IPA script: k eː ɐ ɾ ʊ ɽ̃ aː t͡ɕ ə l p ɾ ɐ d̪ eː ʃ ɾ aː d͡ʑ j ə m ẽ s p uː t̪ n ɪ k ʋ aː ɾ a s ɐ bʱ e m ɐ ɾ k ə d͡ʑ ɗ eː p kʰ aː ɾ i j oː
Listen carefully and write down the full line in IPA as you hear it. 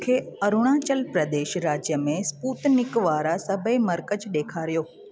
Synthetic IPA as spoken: kʰ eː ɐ ɾ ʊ ɽ̃ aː t͡ɕ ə l p ɾ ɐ d̪ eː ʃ ɾ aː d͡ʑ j ə m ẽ s p uː t̪ n ɪ k ʋ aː ɾ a s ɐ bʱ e m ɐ ɾ k ə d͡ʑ ɗ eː kʰ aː ɾ i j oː